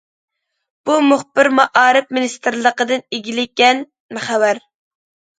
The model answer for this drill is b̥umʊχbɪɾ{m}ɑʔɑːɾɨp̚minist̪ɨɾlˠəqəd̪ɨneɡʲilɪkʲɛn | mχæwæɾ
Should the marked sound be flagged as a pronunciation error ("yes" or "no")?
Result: no